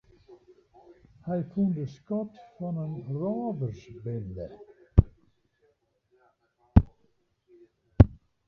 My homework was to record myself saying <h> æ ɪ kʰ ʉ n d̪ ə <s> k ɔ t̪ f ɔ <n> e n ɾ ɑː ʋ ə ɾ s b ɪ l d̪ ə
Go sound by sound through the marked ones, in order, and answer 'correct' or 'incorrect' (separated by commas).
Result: correct, correct, correct